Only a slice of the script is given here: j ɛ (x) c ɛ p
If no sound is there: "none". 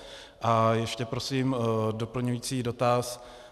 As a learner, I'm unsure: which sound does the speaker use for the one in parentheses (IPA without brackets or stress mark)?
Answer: ʃ